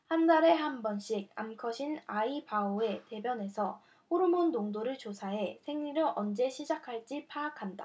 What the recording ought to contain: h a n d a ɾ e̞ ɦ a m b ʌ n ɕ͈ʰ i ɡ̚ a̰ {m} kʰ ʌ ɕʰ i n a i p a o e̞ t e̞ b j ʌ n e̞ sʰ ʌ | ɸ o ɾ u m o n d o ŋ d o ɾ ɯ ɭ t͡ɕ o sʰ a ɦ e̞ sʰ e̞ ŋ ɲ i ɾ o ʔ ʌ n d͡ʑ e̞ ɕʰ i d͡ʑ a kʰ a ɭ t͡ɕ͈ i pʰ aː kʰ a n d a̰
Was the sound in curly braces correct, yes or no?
yes